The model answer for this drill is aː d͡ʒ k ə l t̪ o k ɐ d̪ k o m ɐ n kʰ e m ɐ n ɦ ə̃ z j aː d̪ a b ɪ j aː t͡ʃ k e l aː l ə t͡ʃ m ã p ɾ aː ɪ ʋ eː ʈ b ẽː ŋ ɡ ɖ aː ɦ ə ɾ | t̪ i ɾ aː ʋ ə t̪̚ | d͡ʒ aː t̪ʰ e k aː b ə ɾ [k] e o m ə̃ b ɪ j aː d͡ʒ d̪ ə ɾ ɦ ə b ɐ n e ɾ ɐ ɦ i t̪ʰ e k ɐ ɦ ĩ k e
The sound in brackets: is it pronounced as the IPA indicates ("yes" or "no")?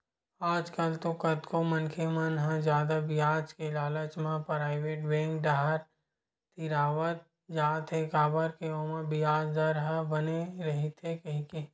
yes